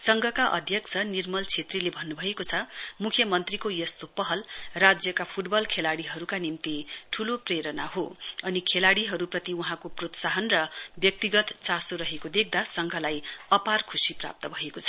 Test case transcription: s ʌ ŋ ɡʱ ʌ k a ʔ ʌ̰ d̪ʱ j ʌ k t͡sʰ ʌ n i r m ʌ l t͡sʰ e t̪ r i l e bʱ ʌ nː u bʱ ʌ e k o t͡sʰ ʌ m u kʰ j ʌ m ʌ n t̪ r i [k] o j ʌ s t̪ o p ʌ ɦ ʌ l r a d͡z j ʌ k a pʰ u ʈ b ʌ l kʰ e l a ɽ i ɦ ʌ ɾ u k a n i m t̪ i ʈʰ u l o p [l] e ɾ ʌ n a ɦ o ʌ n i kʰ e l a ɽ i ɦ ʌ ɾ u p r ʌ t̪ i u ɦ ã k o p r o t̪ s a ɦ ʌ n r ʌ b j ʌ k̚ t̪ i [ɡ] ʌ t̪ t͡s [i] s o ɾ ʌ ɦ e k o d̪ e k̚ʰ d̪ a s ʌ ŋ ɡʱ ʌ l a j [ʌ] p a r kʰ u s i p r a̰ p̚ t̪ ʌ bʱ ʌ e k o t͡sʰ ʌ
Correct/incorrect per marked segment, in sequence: correct, incorrect: r, correct, incorrect: a, correct

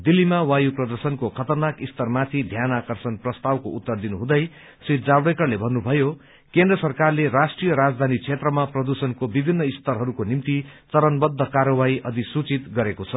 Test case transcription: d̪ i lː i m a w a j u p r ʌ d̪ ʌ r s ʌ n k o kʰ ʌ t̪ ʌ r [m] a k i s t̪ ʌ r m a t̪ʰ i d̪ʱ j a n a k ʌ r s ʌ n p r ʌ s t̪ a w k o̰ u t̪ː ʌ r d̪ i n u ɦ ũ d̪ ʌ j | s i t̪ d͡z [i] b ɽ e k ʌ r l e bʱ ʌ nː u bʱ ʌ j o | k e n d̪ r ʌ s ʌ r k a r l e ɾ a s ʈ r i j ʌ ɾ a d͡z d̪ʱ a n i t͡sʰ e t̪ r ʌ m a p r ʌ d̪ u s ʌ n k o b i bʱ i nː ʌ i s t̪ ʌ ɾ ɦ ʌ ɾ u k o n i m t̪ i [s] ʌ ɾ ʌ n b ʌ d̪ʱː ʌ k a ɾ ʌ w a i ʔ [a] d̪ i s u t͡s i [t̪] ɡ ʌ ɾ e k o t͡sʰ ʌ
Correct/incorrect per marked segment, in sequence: incorrect: n, incorrect: a, incorrect: t͡s, incorrect: ʌ, correct

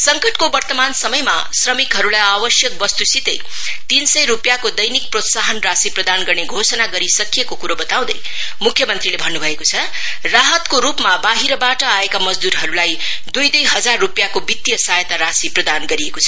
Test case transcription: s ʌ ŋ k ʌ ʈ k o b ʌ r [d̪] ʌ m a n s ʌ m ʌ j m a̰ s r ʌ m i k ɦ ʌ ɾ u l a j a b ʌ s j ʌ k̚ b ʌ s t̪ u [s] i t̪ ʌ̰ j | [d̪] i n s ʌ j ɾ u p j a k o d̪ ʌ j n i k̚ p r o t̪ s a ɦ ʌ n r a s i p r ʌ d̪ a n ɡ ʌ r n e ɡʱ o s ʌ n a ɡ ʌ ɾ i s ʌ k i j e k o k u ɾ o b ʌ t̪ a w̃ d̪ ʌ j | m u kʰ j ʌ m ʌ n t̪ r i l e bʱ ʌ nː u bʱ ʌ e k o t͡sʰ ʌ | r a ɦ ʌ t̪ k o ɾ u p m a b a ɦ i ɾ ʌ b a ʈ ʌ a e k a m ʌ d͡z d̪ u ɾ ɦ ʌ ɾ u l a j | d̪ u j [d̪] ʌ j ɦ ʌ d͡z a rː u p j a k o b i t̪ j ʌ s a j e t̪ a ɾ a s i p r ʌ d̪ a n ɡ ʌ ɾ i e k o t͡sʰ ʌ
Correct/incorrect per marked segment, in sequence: incorrect: t̪, correct, incorrect: t̪, correct

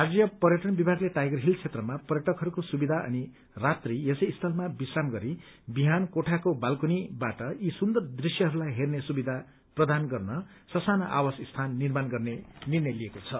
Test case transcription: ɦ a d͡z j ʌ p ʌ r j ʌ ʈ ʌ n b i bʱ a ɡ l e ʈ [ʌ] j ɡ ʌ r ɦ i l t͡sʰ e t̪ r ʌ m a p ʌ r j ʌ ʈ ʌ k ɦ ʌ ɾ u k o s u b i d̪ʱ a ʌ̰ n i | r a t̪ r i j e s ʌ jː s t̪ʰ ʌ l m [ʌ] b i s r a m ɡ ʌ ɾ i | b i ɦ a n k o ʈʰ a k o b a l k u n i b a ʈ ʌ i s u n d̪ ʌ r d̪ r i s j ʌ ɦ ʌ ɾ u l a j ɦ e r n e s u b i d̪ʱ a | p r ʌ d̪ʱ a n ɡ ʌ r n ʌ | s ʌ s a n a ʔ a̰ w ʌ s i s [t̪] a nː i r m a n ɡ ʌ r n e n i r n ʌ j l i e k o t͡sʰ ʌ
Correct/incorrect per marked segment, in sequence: incorrect: a, incorrect: a, incorrect: t̪ʰ

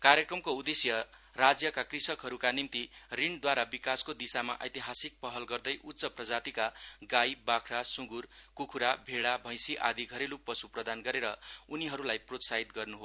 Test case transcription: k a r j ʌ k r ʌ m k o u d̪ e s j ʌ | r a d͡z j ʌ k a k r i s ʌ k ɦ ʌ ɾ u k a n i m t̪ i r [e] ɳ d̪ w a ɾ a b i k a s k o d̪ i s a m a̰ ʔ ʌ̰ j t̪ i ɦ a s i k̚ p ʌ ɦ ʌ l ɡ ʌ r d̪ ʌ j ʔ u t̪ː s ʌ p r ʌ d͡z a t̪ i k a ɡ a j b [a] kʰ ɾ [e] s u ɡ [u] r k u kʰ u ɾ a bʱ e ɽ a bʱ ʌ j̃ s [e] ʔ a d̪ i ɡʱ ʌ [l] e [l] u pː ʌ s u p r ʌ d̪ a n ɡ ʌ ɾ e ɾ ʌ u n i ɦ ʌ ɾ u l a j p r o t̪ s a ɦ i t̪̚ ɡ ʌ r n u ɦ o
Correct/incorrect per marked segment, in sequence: incorrect: i, correct, incorrect: a, correct, incorrect: i, incorrect: ɾ, correct

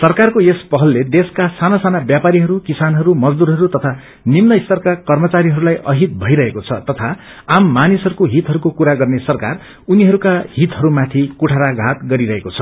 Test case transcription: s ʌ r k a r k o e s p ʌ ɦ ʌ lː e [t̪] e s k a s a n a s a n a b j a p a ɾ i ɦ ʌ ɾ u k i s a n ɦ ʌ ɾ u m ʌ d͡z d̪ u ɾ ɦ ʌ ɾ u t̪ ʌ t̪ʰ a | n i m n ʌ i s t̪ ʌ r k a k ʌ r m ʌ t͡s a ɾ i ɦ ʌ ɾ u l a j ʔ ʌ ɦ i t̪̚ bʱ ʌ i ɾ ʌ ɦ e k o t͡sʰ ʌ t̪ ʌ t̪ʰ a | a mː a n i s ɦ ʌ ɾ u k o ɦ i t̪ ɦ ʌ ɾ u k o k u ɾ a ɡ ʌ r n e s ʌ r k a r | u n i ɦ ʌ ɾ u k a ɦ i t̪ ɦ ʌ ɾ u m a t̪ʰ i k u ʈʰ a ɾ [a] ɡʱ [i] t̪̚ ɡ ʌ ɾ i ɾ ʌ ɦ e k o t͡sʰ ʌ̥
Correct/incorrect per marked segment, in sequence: incorrect: d̪, correct, incorrect: a

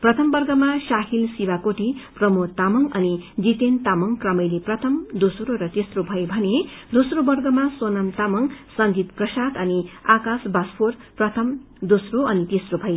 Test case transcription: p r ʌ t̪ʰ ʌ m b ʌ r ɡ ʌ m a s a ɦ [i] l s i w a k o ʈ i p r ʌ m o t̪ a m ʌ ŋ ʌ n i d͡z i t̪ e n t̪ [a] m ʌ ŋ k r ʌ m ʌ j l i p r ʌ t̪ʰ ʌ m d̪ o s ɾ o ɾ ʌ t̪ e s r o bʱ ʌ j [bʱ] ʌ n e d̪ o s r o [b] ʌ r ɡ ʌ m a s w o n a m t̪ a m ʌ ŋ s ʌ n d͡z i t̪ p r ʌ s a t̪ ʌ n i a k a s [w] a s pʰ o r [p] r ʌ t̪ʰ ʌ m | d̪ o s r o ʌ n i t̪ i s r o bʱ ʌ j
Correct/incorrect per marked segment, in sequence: correct, correct, correct, correct, incorrect: b, correct

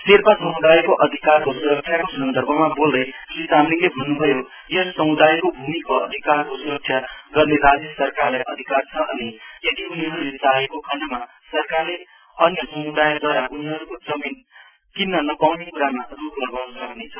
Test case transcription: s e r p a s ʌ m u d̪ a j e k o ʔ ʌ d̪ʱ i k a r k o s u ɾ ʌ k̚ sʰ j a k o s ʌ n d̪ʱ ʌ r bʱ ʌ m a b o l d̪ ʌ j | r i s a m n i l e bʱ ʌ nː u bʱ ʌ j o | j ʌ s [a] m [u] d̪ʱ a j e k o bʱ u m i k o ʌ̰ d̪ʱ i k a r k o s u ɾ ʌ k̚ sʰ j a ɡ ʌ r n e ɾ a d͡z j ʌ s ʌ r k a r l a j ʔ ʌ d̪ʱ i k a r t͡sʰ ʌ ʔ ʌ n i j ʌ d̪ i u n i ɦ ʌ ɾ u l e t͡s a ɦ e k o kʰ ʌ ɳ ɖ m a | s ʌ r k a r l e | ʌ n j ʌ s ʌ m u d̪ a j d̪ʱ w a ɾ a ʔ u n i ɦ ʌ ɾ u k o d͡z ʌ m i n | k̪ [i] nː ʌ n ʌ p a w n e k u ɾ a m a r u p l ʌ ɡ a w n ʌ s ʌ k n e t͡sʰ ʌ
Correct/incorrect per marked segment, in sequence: incorrect: ʌ, correct, correct

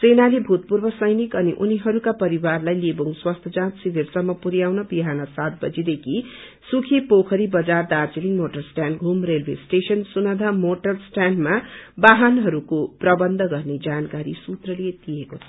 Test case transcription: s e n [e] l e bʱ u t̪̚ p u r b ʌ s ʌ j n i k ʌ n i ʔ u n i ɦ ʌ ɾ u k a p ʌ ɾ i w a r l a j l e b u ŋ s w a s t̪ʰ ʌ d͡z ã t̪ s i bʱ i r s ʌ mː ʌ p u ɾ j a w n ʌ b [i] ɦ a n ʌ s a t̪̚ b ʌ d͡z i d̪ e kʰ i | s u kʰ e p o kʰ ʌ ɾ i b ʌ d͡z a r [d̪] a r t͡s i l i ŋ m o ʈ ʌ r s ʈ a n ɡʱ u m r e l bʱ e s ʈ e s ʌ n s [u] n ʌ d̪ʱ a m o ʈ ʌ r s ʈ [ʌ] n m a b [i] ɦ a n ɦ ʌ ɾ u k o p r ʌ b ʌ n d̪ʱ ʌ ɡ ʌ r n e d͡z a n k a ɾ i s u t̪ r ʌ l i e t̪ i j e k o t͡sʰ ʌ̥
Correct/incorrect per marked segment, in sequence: incorrect: a, correct, correct, correct, incorrect: a, incorrect: a

